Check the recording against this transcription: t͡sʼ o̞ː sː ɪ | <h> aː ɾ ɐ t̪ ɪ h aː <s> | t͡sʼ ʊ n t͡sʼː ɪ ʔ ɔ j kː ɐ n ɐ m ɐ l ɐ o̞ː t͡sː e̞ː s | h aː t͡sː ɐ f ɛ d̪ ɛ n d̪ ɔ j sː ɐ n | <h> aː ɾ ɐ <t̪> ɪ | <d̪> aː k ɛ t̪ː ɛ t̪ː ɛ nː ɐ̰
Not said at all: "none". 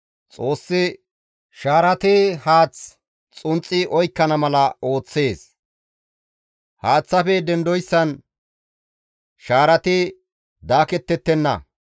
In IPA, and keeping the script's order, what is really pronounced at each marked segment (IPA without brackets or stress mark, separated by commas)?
ʃ, t͡s, ʃ, t̪, d̪